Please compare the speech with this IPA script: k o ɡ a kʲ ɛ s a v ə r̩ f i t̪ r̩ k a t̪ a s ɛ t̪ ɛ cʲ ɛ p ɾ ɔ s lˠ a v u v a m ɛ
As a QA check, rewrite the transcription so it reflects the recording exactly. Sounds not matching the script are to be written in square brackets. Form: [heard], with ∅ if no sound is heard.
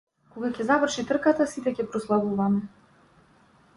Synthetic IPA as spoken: k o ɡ a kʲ ɛ [z] a v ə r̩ [ʃ] i t̪ r̩ k a t̪ a s [i] t̪ ɛ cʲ ɛ p ɾ ɔ s lˠ a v u v a m ɛ